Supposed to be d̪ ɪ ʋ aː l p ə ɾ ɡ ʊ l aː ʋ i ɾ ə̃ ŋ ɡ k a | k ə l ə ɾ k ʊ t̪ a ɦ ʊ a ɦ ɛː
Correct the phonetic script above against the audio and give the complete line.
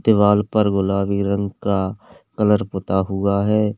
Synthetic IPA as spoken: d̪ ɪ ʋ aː l p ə ɾ ɡ ʊ l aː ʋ i ɾ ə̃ ŋ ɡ k a | k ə l ə ɾ p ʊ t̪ a ɦ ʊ a ɦ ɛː